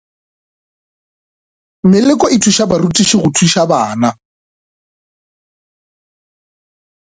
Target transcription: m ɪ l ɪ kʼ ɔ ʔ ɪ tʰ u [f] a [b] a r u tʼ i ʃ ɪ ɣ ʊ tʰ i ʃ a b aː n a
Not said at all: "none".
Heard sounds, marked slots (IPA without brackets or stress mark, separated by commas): ʃ, b